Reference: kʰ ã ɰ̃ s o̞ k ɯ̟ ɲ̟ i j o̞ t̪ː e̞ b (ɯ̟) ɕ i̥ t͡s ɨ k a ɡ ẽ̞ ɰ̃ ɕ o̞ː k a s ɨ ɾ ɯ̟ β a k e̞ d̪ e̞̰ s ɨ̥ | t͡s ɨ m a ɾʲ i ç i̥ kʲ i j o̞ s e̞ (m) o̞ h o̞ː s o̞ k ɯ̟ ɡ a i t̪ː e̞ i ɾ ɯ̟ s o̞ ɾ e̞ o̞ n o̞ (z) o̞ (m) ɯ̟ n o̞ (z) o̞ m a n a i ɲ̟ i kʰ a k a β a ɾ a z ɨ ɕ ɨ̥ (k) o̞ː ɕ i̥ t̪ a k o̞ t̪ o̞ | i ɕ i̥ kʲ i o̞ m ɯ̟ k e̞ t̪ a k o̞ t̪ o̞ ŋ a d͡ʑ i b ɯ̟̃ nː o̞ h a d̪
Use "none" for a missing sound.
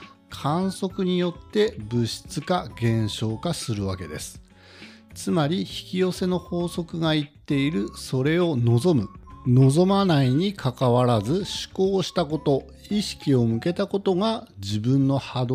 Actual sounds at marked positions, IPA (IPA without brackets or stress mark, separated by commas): ɯ̟, n, z, m, z, k